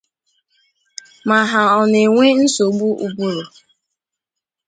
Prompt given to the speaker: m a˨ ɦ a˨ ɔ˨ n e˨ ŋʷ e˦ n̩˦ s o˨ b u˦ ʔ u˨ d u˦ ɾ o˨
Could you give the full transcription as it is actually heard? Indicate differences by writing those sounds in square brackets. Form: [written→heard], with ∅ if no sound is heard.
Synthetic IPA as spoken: m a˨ ɦ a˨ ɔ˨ n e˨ ŋʷ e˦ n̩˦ s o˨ [b→ɡ͡b] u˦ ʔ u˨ [d→b] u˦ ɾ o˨